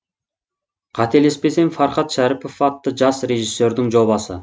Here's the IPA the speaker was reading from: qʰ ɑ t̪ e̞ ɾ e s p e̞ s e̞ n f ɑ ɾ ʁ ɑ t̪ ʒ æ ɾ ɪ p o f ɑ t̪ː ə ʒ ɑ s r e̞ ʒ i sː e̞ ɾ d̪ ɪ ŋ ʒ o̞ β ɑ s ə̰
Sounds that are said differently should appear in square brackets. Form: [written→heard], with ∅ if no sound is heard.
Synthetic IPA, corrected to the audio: qʰ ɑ t̪ e̞ [ɾ→l] e s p e̞ s e̞ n f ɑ ɾ [ʁ→χ] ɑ t̪ [ʒ→ʃ] æ ɾ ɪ p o f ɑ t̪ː ə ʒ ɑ s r e̞ ʒ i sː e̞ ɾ d̪ ɪ ŋ ʒ o̞ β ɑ s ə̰

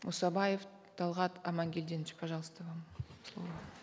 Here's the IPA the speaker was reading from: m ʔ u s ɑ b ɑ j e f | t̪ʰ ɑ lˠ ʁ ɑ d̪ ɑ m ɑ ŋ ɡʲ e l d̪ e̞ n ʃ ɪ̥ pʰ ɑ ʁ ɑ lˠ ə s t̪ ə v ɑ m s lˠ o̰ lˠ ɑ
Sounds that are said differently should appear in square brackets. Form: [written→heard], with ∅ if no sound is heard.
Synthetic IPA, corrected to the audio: m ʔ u s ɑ b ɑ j e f | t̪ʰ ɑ lˠ ʁ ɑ [d̪→t̪] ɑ m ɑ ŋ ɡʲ e l d̪ e̞ n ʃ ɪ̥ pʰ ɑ [ʁ→ʒ] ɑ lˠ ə s t̪ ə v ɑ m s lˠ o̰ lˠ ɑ

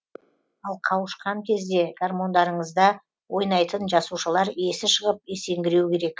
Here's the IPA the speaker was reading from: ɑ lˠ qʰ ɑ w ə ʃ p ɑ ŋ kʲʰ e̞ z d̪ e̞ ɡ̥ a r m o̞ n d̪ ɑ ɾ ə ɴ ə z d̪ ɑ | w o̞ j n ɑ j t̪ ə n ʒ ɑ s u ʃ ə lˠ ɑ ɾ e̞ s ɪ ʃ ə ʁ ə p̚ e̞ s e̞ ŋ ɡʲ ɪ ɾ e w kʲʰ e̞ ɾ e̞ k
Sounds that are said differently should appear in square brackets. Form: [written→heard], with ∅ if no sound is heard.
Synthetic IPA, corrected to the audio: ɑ lˠ qʰ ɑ w ə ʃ [p→q] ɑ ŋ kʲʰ e̞ z d̪ e̞ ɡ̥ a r m o̞ n d̪ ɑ ɾ ə ɴ ə z d̪ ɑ | w o̞ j n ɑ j t̪ ə n ʒ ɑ s u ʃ ə lˠ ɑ ɾ e̞ s ɪ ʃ ə ʁ ə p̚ e̞ s e̞ ŋ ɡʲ ɪ ɾ e w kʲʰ e̞ ɾ e̞ k

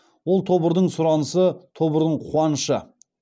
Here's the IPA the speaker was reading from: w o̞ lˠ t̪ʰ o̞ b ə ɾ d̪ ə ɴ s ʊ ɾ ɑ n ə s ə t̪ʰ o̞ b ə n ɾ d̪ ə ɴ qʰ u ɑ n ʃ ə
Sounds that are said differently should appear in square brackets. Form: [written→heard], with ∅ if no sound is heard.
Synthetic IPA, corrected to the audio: w o̞ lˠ t̪ʰ o̞ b ə ɾ d̪ ə ɴ s ʊ ɾ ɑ n ə s ə t̪ʰ o̞ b ə [n→∅] ɾ d̪ ə ɴ qʰ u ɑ n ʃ ə

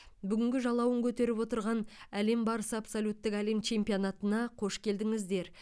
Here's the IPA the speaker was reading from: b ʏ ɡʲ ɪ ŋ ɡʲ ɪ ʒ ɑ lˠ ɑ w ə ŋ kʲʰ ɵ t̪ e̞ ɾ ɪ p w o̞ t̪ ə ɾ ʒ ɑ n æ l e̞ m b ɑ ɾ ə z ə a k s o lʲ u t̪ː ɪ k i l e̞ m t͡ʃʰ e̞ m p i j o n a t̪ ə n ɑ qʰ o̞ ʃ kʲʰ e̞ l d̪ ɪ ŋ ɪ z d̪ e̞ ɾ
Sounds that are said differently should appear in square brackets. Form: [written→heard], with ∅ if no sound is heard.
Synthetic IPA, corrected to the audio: b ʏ ɡʲ ɪ ŋ ɡʲ ɪ ʒ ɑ lˠ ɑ w ə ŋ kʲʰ ɵ t̪ e̞ ɾ ɪ p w o̞ t̪ ə ɾ [ʒ→ʁ] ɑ n æ l e̞ m b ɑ ɾ ə [z→s] ə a [k→p] s o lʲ u t̪ː ɪ k [i→æ] l e̞ m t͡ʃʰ e̞ m p i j o n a t̪ ə n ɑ qʰ o̞ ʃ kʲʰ e̞ l d̪ ɪ ŋ ɪ z d̪ e̞ ɾ

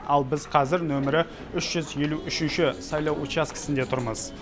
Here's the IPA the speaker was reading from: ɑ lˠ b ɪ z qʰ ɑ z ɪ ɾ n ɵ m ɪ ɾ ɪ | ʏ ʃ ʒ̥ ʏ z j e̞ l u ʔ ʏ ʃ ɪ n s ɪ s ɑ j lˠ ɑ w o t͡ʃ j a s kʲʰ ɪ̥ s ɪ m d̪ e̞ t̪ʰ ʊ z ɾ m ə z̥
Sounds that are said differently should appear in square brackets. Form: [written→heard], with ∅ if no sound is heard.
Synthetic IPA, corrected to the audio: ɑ lˠ b ɪ z qʰ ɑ z ɪ ɾ n ɵ m ɪ ɾ ɪ | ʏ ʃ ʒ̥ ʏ z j e̞ l u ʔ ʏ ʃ ɪ n [s→ʃ] ɪ s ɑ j lˠ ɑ w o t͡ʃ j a s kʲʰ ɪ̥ s ɪ [m→n] d̪ e̞ t̪ʰ ʊ [z→∅] ɾ m ə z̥

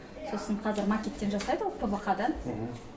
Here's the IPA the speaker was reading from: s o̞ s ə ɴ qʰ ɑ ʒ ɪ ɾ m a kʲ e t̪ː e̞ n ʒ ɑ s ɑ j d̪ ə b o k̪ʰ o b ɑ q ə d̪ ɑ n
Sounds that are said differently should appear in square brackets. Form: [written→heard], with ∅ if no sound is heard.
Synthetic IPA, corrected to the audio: s o̞ s ə ɴ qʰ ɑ [ʒ→z] ɪ ɾ m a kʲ e t̪ː e̞ n ʒ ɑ s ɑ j d̪ ə [b→w] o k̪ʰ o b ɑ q [ə→ɑ] d̪ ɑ n

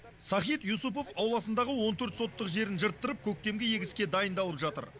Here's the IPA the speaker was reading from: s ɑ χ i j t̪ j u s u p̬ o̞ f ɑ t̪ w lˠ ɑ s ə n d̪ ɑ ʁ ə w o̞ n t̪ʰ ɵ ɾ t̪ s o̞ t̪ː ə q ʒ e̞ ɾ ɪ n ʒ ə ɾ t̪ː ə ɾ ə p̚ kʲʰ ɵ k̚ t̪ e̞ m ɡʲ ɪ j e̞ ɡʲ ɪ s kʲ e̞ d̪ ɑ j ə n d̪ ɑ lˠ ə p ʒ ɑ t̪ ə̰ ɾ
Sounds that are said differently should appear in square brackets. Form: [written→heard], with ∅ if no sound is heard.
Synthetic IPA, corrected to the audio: s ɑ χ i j t̪ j u s u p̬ o̞ f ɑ [t̪→∅] w lˠ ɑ s ə n d̪ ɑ ʁ ə w o̞ n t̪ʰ ɵ ɾ t̪ s o̞ t̪ː ə q ʒ e̞ ɾ ɪ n ʒ ə ɾ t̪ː ə ɾ ə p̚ kʲʰ ɵ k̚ t̪ e̞ m ɡʲ ɪ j e̞ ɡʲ ɪ s kʲ e̞ d̪ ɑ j ə n d̪ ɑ lˠ ə p ʒ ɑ t̪ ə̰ ɾ

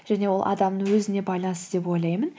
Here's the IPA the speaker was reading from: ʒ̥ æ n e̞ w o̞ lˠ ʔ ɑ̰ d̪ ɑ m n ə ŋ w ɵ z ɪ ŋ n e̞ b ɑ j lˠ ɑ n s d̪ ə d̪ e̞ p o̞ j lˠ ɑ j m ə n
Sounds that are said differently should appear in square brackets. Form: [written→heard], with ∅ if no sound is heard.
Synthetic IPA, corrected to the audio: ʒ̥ æ n e̞ w o̞ lˠ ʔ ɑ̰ d̪ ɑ m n ə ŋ w ɵ z ɪ [ŋ→∅] n e̞ b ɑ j lˠ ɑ n s [d̪→t̪] ə d̪ e̞ p o̞ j lˠ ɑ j m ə n

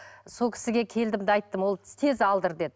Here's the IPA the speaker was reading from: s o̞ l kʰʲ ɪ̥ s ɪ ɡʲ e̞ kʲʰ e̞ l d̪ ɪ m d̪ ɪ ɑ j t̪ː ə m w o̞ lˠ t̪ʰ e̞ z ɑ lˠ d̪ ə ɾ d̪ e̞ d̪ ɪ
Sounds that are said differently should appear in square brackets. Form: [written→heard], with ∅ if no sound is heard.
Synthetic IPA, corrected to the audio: s o̞ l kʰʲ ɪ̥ s ɪ ɡʲ e̞ kʲʰ e̞ l d̪ ɪ m d̪ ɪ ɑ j t̪ː ə m w o̞ lˠ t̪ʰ e̞ z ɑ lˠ d̪ ə ɾ d̪ e̞ d̪ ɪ

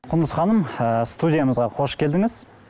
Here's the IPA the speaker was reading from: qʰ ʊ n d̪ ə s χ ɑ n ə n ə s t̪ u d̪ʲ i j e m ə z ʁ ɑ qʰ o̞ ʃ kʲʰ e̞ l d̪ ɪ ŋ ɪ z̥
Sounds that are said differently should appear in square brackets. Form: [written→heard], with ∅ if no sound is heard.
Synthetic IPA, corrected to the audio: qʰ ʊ n d̪ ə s χ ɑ n ə [n→m] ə s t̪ u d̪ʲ i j [e→a] m ə z ʁ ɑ qʰ o̞ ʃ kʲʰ e̞ l d̪ ɪ ŋ ɪ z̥

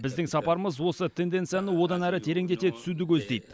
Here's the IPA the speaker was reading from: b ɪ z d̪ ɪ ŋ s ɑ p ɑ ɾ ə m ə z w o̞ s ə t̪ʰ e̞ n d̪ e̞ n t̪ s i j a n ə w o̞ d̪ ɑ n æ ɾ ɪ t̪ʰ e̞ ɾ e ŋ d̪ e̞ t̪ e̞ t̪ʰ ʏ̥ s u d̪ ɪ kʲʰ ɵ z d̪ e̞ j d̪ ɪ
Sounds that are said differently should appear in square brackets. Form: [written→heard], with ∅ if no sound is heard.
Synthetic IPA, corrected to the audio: b ɪ z d̪ ɪ ŋ s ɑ p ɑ ɾ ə m ə z w o̞ s ə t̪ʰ e̞ n d̪ e̞ n t̪ s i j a n ə w o̞ d̪ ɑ n æ ɾ ɪ t̪ʰ e̞ ɾ e ŋ d̪ e̞ t̪ e̞ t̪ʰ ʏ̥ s u d̪ ɪ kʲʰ ɵ z d̪ e̞ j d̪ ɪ

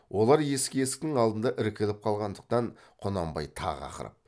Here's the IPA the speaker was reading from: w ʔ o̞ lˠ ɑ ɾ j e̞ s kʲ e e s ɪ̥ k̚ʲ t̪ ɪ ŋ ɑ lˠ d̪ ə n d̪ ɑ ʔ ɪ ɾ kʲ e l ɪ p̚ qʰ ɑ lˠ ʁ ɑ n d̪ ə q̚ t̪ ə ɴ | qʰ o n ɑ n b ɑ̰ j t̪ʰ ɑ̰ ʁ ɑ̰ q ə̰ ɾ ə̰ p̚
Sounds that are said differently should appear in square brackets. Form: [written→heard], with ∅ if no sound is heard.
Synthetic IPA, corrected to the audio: w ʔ o̞ lˠ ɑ ɾ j e̞ s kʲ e e s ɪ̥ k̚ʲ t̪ ɪ ŋ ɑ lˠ d̪ ə n d̪ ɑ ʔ ɪ ɾ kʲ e l ɪ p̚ qʰ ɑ lˠ ʁ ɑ n d̪ ə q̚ t̪ [ə→ɑ] ɴ | qʰ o n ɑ [n→m] b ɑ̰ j t̪ʰ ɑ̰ ʁ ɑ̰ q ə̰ ɾ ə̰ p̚

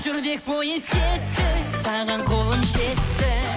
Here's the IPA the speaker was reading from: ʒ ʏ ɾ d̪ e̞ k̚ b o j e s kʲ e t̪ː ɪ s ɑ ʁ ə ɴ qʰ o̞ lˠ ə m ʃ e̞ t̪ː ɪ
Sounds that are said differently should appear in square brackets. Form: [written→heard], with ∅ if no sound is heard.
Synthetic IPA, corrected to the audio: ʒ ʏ ɾ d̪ e̞ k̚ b o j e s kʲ e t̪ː ɪ s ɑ ʁ [ə→ɑ] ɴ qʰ o̞ lˠ ə m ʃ e̞ t̪ː ɪ

